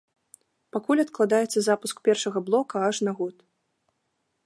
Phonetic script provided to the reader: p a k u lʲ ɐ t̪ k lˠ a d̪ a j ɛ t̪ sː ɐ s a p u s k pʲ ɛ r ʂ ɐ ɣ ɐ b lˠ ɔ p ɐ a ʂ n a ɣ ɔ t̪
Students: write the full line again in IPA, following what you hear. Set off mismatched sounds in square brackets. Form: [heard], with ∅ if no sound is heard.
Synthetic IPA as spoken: p a k u lʲ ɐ t̪ k lˠ a d̪ a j ɛ t̪ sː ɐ [z] a p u s k pʲ ɛ r ʂ ɐ ɣ ɐ b lˠ ɔ [k] ɐ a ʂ n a ɣ ɔ t̪